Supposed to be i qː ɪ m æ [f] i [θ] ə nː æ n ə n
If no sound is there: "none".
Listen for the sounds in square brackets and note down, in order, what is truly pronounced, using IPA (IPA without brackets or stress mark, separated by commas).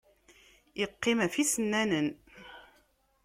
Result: f, s